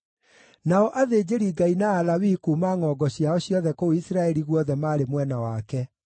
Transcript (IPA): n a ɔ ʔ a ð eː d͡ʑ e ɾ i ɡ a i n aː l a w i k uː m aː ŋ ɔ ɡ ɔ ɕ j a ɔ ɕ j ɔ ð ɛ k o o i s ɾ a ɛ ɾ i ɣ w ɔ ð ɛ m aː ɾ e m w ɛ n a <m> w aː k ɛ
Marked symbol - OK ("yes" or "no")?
no